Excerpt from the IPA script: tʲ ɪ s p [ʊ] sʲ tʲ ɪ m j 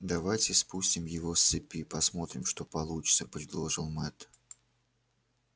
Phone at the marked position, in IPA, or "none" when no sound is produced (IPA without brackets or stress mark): u